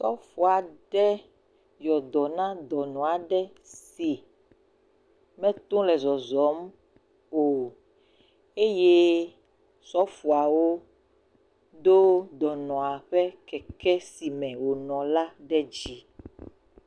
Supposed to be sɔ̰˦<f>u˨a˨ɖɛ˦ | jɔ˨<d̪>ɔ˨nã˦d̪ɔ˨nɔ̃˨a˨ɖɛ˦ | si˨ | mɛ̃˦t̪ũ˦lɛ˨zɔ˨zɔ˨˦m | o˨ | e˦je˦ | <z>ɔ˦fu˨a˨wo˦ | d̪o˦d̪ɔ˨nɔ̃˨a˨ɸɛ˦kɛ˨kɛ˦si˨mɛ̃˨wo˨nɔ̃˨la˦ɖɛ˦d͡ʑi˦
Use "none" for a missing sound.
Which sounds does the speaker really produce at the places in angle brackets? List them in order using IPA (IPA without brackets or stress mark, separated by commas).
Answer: f, d̪, s